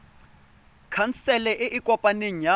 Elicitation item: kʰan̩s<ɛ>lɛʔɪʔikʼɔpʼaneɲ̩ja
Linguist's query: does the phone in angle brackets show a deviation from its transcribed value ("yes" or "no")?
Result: no